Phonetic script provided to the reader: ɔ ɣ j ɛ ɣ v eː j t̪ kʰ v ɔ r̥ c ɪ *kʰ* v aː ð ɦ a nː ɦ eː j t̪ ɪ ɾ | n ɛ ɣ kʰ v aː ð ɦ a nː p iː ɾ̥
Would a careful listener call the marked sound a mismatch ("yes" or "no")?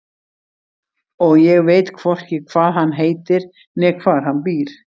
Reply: no